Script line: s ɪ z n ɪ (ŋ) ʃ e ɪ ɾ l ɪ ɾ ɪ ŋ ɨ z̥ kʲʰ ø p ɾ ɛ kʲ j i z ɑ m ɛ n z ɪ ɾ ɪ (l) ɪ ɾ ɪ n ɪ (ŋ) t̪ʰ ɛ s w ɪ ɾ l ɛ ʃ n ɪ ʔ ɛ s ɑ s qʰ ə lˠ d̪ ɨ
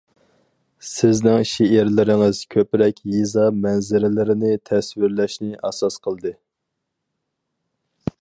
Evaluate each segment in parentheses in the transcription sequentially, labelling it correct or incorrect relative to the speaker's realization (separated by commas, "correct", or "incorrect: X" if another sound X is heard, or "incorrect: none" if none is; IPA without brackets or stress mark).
correct, correct, incorrect: none